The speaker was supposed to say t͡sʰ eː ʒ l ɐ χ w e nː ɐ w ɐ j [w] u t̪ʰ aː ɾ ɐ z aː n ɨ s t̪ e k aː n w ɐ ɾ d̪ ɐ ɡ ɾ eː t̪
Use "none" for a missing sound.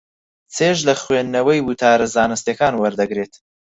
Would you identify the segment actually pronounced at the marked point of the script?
w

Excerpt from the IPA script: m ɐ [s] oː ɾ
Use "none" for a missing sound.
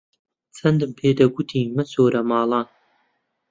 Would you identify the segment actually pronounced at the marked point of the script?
s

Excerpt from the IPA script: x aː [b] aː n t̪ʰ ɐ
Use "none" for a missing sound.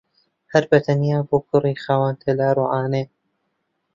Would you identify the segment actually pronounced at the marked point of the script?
w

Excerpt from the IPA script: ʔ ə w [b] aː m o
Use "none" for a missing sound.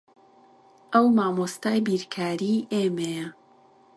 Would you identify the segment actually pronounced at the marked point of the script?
m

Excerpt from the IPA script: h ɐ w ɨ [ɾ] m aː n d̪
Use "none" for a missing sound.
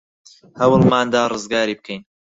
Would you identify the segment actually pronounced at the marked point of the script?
l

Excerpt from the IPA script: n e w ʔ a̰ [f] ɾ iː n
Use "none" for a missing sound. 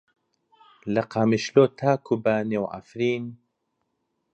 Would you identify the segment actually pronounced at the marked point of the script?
f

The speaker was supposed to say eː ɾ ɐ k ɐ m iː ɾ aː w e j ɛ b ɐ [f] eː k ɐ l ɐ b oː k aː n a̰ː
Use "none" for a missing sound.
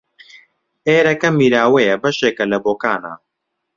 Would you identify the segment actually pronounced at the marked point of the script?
ʃ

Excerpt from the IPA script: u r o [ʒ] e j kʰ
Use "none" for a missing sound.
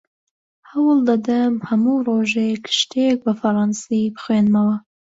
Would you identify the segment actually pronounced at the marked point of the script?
ʒ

